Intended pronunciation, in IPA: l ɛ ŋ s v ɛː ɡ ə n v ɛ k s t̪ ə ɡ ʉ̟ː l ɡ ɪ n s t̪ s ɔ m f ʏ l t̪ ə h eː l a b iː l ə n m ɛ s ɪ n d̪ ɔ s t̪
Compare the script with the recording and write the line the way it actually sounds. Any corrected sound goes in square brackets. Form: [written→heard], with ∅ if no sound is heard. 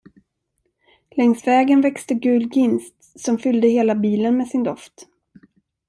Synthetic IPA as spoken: l ɛ ŋ s v ɛː ɡ ə n v ɛ k s t̪ ə ɡ ʉ̟ː l ɡ ɪ n s t̪ s ɔ m f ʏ l [t̪→d̪] ə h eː l a b iː l ə n m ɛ s ɪ n d̪ ɔ [s→f] t̪